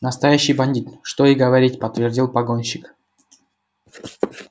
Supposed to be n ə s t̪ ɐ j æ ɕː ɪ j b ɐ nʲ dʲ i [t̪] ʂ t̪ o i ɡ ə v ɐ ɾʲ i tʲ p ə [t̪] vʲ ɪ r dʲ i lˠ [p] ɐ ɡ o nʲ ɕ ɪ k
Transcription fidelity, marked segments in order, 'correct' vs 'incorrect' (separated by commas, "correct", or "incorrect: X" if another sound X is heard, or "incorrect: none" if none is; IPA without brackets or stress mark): correct, correct, correct